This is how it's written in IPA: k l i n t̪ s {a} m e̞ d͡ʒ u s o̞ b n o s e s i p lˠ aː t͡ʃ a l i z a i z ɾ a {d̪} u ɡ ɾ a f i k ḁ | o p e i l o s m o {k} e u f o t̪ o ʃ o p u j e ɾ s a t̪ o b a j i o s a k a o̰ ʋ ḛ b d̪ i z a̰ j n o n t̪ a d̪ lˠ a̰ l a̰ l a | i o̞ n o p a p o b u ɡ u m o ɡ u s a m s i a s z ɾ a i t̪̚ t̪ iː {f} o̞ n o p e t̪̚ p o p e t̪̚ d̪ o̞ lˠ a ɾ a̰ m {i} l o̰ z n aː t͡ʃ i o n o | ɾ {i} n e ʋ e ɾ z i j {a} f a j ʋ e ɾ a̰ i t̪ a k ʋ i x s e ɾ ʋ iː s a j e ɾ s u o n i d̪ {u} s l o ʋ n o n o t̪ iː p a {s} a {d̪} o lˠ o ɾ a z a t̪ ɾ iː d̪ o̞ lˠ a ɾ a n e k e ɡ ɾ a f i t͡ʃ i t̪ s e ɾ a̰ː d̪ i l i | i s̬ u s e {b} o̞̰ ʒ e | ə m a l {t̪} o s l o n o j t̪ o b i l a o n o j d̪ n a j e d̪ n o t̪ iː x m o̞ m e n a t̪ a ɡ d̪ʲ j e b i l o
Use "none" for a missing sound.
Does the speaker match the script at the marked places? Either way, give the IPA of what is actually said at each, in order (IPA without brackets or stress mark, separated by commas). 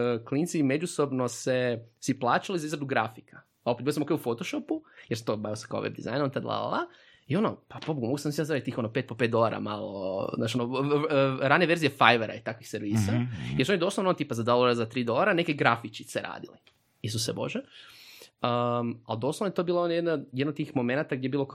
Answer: i, d̪, k, x, a, a, e, o, z, d̪, b, d̪